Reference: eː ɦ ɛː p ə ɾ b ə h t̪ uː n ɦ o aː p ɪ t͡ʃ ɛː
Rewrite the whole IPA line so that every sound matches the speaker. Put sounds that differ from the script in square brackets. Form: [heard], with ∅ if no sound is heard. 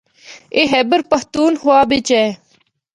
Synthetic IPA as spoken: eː ɦ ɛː [b] ə ɾ [p] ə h t̪ uː n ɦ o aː [b] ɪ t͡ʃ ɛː